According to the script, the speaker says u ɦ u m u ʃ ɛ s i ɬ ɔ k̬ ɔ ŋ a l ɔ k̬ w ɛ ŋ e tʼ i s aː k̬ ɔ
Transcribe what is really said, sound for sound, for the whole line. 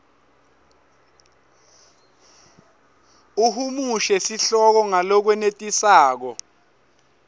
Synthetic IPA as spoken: u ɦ u m u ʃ ɛ s i ɬ ɔ k̬ ɔ ŋ a l ɔ k̬ w ɛ n e tʼ i s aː k̬ ɔ